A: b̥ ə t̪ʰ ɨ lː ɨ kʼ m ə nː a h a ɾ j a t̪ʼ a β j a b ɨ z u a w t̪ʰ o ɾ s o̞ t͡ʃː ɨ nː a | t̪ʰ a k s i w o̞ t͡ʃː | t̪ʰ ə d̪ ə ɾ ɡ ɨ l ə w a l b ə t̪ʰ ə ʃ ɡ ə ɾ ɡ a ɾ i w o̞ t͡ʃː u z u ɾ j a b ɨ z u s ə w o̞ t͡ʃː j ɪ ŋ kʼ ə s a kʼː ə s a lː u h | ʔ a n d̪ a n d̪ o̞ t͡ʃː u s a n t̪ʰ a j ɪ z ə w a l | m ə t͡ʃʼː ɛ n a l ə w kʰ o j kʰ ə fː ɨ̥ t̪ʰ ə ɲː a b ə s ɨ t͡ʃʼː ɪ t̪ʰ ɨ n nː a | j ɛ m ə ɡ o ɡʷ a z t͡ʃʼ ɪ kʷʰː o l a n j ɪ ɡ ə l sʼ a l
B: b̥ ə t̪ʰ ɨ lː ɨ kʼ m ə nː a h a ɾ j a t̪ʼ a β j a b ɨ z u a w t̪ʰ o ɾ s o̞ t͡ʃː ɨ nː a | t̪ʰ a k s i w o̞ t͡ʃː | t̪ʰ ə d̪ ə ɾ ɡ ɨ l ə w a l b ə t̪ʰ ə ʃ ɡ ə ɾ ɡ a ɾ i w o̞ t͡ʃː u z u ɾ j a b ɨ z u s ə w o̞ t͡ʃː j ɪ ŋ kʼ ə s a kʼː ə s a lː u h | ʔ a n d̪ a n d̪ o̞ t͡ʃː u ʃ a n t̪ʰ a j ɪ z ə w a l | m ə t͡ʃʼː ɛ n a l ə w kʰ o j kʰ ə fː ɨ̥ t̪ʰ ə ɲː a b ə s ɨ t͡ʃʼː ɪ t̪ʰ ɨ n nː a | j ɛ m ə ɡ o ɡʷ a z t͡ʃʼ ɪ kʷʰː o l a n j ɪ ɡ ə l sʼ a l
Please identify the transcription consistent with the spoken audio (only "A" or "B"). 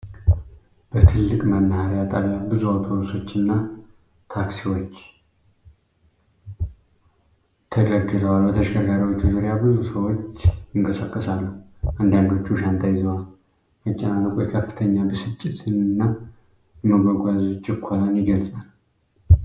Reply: B